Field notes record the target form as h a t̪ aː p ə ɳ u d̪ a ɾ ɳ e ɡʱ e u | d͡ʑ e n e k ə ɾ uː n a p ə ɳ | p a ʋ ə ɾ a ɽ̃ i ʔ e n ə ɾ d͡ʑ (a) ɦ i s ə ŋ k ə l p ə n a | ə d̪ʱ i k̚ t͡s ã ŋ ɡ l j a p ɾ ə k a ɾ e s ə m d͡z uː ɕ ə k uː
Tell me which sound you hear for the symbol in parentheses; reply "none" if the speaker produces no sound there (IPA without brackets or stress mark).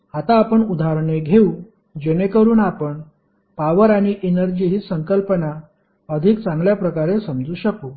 i